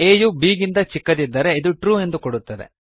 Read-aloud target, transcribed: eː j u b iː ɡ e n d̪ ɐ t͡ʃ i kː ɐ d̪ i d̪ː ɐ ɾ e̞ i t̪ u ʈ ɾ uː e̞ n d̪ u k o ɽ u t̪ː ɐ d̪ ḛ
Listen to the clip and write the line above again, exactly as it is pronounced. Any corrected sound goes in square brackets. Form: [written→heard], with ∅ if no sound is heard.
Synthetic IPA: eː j u b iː ɡ [e→i] n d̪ ɐ t͡ʃ i kː ɐ d̪ i d̪ː ɐ ɾ e̞ i [t̪→d̪] u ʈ ɾ uː e̞ n d̪ u k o ɽ u t̪ː ɐ d̪ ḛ